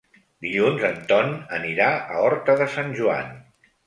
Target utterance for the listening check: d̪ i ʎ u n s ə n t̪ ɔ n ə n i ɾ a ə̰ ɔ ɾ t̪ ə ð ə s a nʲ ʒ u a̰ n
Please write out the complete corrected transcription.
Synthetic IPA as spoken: d̪ i ʎ u n z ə n t̪ ɔ n ə n i ɾ a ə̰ ɔ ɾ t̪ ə ð ə s a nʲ ʒ u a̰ n